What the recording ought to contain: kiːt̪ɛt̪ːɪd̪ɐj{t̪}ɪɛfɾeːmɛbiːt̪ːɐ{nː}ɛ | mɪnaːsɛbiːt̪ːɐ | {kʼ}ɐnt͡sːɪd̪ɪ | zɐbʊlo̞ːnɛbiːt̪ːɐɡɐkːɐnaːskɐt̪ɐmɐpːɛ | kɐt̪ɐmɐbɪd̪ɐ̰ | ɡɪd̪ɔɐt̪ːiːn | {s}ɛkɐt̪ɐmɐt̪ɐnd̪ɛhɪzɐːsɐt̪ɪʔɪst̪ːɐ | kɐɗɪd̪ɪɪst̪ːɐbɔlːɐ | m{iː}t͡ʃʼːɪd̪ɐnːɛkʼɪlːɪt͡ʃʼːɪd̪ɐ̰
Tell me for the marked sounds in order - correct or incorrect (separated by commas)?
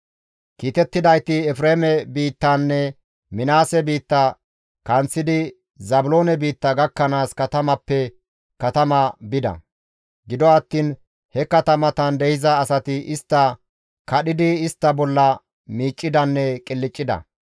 correct, correct, incorrect, incorrect, correct